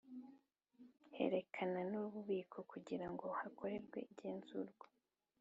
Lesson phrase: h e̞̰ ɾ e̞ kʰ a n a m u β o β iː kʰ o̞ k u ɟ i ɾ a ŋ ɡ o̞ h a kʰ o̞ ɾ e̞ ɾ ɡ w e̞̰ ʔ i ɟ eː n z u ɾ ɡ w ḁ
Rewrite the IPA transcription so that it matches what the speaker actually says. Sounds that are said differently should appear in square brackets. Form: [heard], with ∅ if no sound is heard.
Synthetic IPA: h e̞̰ ɾ e̞ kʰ a n a [n] u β [u] β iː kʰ o̞ k u ɟ i ɾ a ŋ ɡ o̞ h a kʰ o̞ ɾ e̞ ɾ ɡ w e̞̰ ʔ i ɟ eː n z u ɾ ɡ w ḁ